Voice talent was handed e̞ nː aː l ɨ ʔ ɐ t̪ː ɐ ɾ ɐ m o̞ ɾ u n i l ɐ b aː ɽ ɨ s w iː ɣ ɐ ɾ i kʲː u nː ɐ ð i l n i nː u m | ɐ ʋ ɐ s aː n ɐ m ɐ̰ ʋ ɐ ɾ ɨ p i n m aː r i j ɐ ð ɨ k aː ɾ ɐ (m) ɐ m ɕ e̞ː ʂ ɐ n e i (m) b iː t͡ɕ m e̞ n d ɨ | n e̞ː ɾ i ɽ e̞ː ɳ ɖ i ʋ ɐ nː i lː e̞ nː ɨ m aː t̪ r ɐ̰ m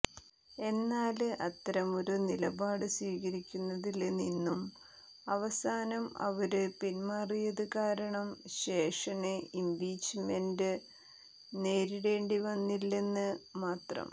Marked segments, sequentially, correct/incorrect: incorrect: ɳ, correct

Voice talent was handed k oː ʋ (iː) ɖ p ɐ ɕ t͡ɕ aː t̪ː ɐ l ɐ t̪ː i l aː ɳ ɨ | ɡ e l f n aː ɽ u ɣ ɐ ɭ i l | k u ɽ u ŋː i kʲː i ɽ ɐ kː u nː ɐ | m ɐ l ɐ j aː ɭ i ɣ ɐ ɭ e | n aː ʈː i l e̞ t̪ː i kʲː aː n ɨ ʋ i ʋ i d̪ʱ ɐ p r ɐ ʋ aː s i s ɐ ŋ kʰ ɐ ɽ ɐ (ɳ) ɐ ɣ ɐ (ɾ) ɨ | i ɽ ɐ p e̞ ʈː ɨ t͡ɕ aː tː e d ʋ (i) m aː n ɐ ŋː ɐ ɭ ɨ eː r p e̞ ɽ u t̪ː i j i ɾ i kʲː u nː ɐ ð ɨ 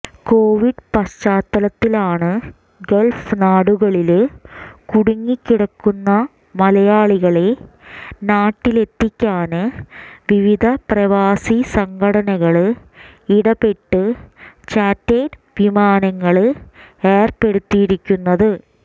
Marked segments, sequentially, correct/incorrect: incorrect: i, incorrect: n, incorrect: ɭ, correct

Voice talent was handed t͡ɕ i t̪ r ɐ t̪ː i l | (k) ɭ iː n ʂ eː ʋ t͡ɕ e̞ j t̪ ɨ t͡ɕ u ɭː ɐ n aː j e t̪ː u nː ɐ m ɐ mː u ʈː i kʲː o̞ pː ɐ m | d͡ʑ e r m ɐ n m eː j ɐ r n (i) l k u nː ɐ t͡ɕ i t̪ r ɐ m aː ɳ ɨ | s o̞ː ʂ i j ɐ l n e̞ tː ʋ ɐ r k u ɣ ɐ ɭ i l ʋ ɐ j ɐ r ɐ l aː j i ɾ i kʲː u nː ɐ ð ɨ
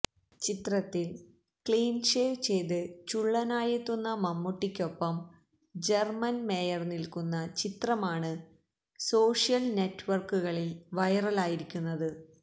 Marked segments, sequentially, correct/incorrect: correct, correct

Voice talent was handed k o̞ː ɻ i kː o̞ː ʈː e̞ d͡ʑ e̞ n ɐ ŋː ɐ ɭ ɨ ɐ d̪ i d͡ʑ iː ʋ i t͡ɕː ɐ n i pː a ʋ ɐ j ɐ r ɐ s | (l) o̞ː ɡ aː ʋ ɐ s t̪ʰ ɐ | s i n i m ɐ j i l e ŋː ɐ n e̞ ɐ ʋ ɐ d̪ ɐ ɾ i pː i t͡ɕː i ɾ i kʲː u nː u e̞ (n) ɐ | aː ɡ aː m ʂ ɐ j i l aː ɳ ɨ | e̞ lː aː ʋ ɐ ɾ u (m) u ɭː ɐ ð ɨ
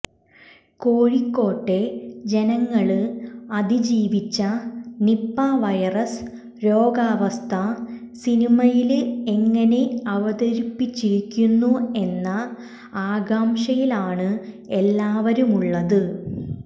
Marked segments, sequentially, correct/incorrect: incorrect: ɾ, incorrect: nː, correct

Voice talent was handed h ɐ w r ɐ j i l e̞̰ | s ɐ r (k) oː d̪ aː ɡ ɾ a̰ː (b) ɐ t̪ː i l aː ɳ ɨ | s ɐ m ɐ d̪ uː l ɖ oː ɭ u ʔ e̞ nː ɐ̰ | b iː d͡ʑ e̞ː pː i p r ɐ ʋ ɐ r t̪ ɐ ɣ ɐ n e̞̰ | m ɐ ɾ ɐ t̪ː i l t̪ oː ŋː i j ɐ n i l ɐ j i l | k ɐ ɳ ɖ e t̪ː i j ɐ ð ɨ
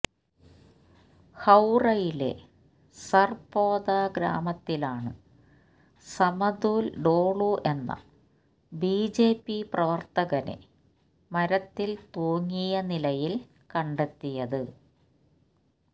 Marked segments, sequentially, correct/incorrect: incorrect: p, incorrect: m

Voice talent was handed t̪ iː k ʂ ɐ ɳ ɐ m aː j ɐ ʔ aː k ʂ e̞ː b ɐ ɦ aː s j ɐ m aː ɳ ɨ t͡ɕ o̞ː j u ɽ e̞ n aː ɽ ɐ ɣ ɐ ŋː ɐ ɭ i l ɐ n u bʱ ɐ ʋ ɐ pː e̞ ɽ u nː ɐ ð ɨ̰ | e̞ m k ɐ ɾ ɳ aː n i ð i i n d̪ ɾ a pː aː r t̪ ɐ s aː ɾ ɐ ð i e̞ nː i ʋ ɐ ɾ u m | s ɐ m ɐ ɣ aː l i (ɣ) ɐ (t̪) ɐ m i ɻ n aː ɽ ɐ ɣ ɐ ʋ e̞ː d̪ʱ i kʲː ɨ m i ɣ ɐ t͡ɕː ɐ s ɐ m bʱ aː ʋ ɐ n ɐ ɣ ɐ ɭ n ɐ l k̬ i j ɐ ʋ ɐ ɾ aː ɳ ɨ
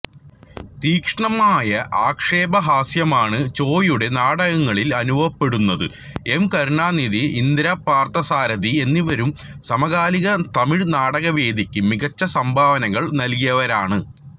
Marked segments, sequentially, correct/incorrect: correct, correct

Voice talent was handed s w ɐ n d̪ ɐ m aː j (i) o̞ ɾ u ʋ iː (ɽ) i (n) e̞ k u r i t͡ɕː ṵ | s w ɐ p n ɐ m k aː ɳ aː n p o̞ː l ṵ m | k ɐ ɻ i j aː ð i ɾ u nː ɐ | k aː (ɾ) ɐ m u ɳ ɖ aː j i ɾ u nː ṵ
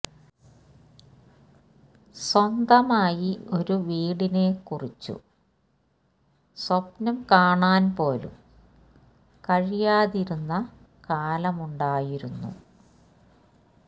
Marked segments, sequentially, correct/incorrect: correct, correct, correct, incorrect: l

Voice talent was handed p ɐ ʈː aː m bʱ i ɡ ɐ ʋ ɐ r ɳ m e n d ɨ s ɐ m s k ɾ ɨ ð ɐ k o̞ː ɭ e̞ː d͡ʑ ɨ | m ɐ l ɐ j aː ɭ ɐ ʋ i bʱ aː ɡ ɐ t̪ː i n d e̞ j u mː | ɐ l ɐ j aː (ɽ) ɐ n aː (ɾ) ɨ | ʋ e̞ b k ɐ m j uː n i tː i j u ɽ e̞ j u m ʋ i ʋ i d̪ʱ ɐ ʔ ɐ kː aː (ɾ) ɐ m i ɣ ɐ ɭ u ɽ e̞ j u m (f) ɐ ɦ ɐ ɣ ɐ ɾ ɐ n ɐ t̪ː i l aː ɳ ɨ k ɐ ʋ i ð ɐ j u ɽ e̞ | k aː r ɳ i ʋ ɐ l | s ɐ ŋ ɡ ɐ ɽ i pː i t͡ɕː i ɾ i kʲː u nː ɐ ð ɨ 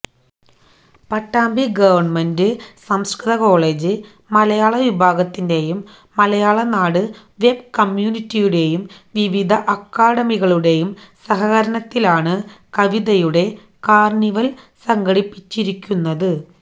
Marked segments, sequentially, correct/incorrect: incorrect: ɭ, incorrect: ɽ, incorrect: ɽ, incorrect: s

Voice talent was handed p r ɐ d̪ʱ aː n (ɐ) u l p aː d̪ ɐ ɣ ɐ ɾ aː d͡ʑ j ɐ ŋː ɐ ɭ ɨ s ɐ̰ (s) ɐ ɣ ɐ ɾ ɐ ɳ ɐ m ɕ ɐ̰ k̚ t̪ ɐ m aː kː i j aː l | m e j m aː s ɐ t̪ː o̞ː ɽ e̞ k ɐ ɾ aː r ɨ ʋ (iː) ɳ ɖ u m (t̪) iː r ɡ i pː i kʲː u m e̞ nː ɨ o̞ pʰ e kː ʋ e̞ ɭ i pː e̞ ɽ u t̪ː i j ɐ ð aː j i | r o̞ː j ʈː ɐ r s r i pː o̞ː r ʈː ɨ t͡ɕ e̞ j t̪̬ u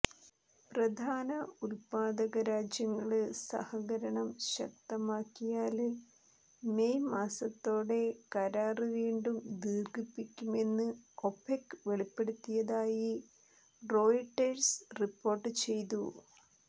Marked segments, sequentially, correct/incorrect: correct, incorrect: h, correct, incorrect: d̪

